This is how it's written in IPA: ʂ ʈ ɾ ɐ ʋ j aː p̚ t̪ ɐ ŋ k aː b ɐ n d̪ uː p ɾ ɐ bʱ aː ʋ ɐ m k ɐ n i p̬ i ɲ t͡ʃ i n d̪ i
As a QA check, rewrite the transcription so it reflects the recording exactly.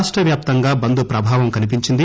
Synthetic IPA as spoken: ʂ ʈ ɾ ɐ ʋ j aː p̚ t̪ ɐ ŋ ɡ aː b ɐ n d̪ u p ɾ ɐ bʱ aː ʋ ɐ m k ɐ n i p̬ i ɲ t͡ʃ i n d̪ i